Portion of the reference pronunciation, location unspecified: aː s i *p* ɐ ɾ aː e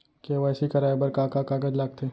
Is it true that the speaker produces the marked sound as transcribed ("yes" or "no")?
no